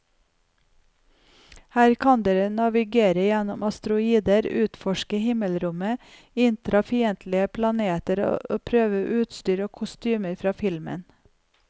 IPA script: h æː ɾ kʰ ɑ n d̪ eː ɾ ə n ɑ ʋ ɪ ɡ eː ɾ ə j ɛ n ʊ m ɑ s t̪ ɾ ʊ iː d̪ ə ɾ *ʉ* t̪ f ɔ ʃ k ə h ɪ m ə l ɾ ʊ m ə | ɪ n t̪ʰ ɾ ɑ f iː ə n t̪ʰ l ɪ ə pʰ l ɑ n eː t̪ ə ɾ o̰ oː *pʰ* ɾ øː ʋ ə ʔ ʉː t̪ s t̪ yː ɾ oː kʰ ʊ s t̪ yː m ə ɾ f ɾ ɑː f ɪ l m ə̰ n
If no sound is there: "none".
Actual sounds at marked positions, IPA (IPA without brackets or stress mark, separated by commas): ʉː, pʰ